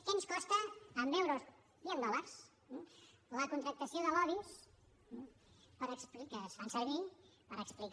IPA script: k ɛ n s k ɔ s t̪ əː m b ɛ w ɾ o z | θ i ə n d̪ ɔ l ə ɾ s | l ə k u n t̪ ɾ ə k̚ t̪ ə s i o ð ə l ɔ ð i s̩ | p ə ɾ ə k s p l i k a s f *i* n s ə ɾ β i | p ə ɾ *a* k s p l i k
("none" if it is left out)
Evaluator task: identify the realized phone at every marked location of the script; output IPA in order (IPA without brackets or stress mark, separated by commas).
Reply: a, ə